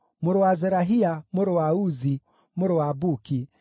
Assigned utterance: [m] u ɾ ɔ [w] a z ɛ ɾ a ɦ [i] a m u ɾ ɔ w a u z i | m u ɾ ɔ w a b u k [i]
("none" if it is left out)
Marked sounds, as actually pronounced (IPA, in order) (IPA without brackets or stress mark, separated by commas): m, w, i, i